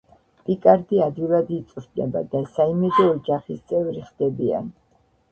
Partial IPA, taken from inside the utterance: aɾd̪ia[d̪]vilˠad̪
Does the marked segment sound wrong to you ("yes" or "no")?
no